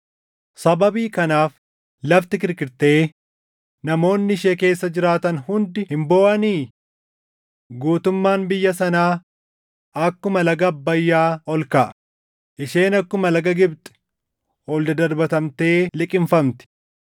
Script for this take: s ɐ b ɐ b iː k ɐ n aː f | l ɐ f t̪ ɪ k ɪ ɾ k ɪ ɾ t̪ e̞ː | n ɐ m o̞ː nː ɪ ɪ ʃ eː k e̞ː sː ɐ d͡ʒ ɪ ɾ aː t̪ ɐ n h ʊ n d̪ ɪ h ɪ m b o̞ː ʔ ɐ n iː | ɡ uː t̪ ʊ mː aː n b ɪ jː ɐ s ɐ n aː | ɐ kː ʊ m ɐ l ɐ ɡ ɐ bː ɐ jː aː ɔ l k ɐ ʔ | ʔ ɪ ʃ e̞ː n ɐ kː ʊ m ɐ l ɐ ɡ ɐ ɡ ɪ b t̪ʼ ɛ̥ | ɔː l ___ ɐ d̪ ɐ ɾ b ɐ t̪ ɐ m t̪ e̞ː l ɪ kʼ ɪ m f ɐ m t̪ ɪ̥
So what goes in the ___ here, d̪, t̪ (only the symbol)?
d̪